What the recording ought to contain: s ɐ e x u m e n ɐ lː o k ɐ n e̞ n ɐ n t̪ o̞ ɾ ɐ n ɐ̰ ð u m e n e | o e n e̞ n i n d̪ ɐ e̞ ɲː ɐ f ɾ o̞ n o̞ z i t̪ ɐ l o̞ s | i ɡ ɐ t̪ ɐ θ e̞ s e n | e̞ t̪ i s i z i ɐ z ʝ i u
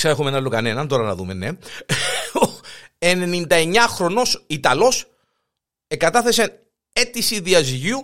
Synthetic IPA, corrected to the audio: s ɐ e x u m e n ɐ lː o k ɐ n e̞ n ɐ n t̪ o̞ ɾ ɐ n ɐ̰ ð u m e n e | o e n e̞ n i n d̪ ɐ e̞ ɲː ɐ x ɾ o̞ n o̞ s i t̪ ɐ l o̞ s | e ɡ ɐ t̪ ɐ θ e̞ s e n | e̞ t̪ i s i ð i ɐ z ʝ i u